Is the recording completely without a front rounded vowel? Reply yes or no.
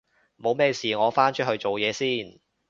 yes